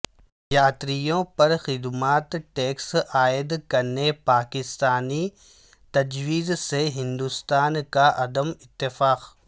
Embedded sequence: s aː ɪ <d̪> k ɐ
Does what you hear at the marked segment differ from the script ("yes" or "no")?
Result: no